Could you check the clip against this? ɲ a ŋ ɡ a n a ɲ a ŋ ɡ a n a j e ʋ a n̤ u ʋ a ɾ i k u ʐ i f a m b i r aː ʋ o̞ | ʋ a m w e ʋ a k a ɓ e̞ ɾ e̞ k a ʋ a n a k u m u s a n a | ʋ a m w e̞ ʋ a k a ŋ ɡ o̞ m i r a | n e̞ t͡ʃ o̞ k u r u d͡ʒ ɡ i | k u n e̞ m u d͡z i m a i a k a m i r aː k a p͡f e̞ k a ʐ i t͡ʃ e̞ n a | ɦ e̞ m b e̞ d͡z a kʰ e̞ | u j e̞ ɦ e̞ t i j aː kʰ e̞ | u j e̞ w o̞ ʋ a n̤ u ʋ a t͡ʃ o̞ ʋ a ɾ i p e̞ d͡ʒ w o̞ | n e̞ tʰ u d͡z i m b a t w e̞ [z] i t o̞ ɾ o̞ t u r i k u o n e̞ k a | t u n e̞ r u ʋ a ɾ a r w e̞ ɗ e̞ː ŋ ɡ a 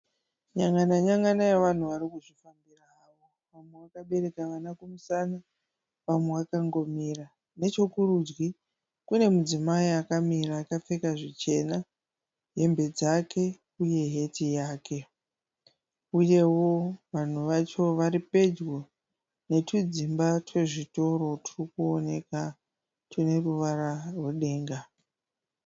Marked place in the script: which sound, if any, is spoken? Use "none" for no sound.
ʐ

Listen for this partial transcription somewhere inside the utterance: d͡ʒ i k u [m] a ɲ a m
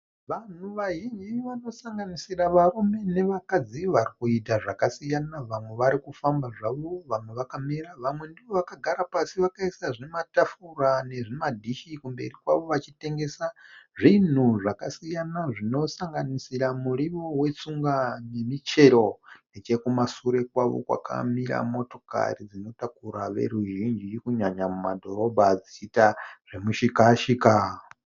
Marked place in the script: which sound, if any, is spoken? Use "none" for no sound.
ɲ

